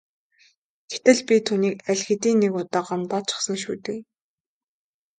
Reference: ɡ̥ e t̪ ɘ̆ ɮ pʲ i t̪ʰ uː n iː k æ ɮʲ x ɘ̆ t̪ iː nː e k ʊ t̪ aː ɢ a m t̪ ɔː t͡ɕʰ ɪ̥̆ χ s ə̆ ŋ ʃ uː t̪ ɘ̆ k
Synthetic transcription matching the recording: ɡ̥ e t̪ ɘ̆ ɮ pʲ i t̪ʰ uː n iː k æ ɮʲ x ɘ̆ t̪ iː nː e k ʊ t̪ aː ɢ a m t̪ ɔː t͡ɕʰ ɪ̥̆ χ s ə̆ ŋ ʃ uː t̪ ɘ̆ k